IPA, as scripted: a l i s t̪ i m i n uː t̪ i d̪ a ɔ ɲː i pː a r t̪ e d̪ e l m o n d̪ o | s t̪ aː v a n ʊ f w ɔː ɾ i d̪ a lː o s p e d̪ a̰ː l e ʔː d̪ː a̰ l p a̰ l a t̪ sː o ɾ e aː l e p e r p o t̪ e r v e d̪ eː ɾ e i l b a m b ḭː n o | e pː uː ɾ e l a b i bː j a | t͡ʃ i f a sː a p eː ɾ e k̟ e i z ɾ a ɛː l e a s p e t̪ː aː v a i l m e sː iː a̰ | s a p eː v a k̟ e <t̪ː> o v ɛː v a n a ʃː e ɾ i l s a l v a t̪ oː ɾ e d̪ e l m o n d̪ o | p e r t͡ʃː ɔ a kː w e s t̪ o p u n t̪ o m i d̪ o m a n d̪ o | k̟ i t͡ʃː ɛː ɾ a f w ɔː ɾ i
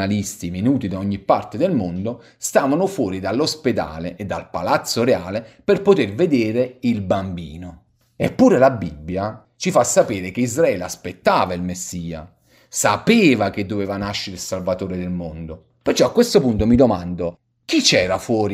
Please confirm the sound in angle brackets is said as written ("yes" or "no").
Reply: no